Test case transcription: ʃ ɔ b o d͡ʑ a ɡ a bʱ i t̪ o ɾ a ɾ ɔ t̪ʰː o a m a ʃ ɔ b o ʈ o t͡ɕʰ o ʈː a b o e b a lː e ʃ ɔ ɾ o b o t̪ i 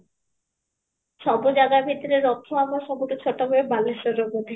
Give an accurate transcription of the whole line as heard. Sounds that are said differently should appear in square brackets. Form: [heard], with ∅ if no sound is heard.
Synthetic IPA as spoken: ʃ ɔ b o d͡ʑ a ɡ a bʱ i t̪ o ɾ [e] ɾ ɔ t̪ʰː o a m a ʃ ɔ b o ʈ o t͡ɕʰ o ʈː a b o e b a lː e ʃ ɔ ɾ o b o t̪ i